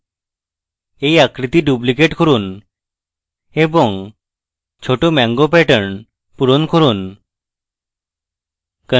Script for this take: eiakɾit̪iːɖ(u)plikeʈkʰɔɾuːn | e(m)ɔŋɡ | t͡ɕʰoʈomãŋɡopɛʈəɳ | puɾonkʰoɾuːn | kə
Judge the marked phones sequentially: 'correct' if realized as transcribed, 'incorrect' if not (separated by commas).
correct, incorrect